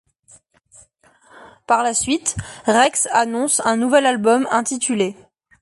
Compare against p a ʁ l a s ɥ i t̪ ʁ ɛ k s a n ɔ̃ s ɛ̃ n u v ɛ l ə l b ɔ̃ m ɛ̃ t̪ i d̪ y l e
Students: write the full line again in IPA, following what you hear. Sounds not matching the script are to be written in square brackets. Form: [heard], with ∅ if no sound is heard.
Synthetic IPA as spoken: p a ʁ l a s ɥ i t̪ ʁ ɛ k s a n ɔ̃ s ɛ̃ n u v ɛ l [a] l b [ɔ] m ɛ̃ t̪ i [t̪] y l e